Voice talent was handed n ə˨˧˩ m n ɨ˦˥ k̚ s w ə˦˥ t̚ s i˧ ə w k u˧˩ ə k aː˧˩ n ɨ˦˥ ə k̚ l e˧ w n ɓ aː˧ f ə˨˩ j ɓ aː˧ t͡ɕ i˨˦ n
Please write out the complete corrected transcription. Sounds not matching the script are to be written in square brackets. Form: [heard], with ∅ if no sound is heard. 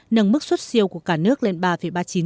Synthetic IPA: n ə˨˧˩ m [m] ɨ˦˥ k̚ s w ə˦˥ t̚ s i˧ ə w k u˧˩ ə k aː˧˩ n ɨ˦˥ ə k̚ l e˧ [∅] n ɓ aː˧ f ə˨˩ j ɓ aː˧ t͡ɕ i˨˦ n